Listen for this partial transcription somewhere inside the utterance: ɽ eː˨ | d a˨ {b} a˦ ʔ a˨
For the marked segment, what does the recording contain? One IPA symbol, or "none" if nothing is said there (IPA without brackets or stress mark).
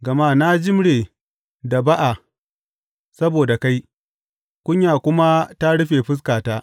b